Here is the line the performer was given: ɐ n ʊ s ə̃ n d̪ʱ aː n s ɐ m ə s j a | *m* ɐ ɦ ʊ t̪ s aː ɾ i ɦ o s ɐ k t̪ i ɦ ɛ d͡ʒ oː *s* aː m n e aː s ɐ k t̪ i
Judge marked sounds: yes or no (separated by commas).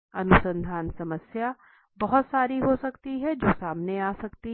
no, yes